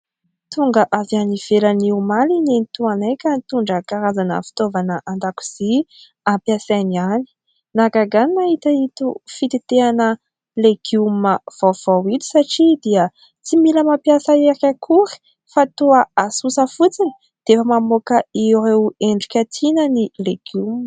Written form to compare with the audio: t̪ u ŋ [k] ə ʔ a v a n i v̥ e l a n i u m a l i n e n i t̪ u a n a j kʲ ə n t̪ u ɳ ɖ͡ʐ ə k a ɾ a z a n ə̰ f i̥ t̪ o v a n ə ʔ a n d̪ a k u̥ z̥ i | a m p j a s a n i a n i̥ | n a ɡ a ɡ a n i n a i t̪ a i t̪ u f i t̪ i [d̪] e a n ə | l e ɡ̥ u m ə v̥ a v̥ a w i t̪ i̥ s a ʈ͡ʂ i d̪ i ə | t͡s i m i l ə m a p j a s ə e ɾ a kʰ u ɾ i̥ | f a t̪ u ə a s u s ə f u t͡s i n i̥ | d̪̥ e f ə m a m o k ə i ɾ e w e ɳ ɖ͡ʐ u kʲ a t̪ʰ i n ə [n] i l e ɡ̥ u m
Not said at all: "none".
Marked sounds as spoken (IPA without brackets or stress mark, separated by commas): ɡ, t̪, n